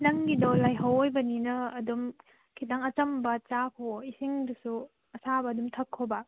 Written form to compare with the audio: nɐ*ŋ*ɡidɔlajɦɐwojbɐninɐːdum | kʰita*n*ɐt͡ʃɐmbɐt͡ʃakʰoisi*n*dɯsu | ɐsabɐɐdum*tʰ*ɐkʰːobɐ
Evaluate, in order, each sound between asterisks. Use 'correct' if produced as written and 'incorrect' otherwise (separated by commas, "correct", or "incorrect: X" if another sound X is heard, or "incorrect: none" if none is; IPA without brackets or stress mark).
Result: correct, incorrect: ŋ, incorrect: ŋ, correct